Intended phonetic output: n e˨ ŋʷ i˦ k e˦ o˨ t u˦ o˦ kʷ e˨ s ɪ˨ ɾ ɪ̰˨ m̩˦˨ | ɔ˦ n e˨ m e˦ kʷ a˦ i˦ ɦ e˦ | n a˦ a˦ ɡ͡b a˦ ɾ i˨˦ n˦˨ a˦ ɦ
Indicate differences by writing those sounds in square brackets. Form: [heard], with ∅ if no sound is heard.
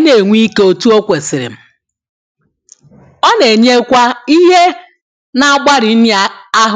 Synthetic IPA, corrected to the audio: n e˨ ŋʷ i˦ k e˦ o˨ t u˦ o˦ kʷ e˨ s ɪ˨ ɾ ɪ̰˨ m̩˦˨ | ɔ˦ n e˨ [ɲ] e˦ kʷ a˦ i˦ ɦ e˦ | n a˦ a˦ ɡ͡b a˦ ɾ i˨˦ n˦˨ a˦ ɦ